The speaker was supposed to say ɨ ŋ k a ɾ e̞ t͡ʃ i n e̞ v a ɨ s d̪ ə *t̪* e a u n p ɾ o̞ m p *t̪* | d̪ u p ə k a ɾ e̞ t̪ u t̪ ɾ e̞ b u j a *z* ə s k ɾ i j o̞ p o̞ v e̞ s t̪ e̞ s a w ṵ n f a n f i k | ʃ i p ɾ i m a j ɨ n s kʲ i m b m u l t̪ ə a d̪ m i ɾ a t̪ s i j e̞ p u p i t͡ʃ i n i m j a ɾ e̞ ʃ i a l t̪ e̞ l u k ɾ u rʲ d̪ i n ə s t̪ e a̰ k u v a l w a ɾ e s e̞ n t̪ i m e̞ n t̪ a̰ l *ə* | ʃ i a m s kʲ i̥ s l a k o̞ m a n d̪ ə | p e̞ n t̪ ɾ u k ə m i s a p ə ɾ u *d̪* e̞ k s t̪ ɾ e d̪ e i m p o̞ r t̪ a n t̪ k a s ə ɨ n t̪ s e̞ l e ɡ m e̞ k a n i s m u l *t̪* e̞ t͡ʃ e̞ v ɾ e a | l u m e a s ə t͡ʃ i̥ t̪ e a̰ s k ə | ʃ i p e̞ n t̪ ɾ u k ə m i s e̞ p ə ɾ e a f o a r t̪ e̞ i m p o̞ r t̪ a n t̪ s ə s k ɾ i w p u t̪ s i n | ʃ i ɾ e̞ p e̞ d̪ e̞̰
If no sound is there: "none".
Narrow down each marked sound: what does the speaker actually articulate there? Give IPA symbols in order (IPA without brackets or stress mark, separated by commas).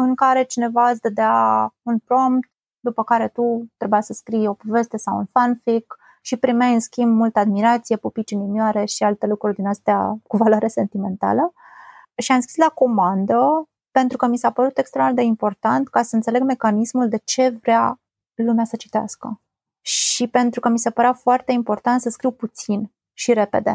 d̪, t̪, s, ə, t̪, d̪